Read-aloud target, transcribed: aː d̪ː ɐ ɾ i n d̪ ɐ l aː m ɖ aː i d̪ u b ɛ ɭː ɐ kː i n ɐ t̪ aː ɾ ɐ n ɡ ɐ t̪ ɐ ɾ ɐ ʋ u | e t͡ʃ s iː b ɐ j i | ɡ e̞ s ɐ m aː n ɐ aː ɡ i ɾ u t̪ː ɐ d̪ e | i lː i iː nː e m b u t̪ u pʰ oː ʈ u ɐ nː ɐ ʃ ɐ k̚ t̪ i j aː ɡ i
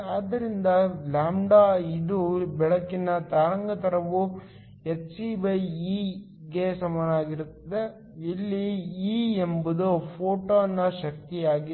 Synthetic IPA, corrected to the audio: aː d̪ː ɐ ɾ i n d̪ ɐ l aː m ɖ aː i d̪ u b ɛ ɭ ɐ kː i n ɐ t̪ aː ɾ ɐ ŋ ɡ ɐ t̪ ɐ ɾ ɐ ʋ u | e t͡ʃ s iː b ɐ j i | ɡ e̞ s ɐ m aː n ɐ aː ɡ i ɾ u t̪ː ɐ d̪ e | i lː i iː e m b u d̪ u pʰ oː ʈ o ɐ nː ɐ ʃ ɐ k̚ t̪ i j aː ɡ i